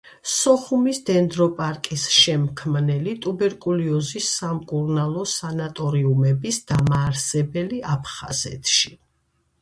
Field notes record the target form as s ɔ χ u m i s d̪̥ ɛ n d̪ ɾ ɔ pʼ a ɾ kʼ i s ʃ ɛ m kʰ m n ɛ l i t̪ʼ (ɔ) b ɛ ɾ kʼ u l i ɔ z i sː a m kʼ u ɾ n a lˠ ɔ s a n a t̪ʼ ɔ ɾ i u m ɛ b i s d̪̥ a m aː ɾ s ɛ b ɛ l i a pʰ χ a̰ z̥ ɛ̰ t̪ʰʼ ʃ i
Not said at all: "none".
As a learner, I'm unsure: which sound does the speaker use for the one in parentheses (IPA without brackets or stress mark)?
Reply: u